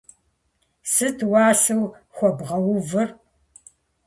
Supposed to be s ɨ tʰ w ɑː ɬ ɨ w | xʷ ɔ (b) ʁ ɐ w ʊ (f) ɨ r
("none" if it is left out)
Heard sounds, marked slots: b, v

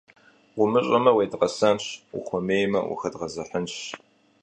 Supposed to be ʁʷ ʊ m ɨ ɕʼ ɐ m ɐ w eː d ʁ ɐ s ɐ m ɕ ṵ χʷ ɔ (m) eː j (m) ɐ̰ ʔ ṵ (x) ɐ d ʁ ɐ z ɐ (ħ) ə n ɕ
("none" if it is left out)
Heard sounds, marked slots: m, m, x, ħ

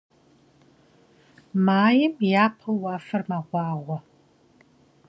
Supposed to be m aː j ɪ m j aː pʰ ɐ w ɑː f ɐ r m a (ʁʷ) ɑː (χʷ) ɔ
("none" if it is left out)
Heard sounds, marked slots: ʁʷ, ʁʷ

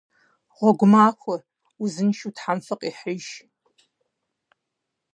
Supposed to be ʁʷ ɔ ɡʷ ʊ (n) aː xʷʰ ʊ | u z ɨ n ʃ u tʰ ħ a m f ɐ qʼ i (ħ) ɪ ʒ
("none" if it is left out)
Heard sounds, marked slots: m, ħ

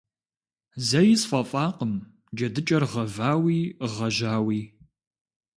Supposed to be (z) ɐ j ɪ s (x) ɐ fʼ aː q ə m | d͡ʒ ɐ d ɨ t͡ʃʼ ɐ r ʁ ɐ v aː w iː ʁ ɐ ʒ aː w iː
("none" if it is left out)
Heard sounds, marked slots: z, f

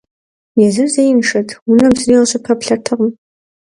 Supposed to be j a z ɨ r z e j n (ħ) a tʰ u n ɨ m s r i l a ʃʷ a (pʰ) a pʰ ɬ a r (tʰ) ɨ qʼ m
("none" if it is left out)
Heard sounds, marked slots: ʂ, pʰ, tʰ

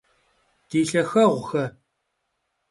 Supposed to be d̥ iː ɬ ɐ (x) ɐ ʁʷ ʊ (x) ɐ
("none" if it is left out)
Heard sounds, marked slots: x, x

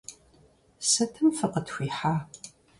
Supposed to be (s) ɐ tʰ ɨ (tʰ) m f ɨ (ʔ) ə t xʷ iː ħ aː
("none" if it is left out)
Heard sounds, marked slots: s, none, q

